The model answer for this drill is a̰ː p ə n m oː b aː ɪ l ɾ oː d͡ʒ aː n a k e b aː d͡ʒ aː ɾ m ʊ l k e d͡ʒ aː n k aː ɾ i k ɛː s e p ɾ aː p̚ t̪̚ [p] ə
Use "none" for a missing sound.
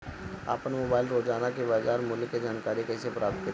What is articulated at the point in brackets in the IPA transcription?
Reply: k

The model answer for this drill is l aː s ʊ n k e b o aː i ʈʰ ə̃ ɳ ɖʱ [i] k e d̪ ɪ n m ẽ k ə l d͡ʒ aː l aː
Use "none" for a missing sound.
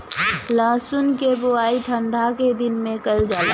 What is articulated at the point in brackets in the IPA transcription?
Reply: a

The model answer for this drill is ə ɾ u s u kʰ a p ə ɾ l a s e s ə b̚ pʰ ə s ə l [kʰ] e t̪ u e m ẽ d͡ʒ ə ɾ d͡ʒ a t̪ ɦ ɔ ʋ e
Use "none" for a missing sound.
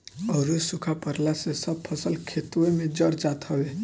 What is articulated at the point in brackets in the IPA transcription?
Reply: kʰ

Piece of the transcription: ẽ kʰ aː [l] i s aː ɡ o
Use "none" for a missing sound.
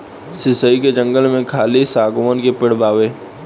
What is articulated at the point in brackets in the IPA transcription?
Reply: l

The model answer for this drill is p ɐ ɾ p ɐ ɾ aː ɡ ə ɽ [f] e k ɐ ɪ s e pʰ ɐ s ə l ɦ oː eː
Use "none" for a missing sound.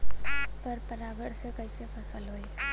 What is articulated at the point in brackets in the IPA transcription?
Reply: s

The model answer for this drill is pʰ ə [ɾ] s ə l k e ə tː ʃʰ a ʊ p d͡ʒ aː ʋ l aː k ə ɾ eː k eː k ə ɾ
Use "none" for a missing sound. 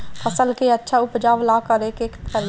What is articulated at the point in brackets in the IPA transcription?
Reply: none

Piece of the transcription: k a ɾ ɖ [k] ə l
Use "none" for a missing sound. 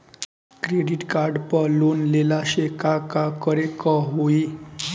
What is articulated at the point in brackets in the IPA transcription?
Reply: p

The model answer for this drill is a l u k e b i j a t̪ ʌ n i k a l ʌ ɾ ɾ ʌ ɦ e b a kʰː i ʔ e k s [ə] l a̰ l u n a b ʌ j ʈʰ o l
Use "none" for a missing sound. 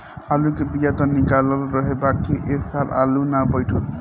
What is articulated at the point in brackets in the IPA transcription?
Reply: a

